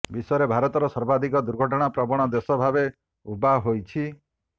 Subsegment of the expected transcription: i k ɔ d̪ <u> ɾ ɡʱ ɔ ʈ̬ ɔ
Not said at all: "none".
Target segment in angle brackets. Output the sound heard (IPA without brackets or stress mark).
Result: u